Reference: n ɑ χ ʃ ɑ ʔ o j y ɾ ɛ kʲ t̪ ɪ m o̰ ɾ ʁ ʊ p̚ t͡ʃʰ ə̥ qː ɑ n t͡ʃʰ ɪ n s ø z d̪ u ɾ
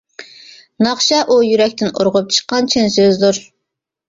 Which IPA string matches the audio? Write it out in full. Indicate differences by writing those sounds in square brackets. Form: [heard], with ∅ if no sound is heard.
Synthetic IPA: n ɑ χ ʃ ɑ ʔ [u] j y ɾ ɛ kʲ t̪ ɪ [n] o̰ ɾ ʁ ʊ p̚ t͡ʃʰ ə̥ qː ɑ n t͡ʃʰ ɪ n s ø z d̪ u ɾ